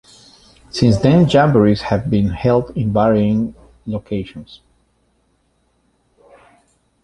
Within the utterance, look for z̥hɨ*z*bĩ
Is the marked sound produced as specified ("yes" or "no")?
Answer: no